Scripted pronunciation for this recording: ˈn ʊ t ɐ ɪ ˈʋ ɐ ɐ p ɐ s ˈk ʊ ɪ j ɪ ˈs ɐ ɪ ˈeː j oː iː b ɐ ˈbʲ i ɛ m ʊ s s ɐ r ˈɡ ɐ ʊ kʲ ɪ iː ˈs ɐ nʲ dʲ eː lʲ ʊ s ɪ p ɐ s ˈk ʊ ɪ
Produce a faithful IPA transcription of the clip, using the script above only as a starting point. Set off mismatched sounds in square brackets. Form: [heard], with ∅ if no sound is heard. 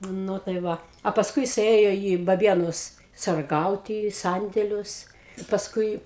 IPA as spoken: ˈn ʊ t ɐ ɪ ˈʋ ɐ ɐ p ɐ s ˈk ʊ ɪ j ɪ ˈs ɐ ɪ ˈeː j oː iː b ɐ ˈbʲ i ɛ [n] ʊ s s ɐ r ˈɡ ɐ ʊ [tʲ] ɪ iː ˈs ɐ nʲ dʲ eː lʲ ʊ s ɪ p ɐ s ˈk ʊ ɪ